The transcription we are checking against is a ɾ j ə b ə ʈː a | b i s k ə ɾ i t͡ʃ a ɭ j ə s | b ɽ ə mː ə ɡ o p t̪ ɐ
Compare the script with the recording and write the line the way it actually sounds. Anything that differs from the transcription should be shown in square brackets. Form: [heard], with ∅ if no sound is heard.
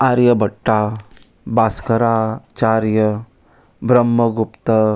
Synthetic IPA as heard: a ɾ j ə b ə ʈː a | b [a] s k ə ɾ [a] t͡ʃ a [ɾ] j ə [∅] | b [ɾ] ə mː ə ɡ [u] p t̪ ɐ